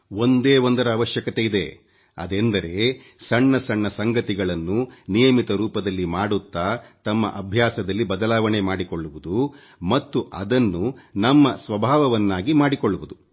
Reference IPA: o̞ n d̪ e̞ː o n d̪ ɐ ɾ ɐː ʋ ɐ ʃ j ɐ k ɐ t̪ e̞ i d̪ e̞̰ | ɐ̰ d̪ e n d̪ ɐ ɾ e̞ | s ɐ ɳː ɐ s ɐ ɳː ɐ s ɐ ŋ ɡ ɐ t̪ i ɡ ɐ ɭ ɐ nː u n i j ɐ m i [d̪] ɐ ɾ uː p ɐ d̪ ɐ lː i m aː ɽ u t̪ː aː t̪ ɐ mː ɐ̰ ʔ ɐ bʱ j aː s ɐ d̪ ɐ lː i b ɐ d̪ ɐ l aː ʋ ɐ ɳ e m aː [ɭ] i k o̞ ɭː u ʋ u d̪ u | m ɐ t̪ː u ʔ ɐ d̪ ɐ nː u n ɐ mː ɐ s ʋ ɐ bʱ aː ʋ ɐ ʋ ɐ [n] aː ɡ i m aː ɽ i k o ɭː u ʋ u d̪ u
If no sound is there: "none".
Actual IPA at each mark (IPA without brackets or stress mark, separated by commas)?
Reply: t̪, ɽ, nː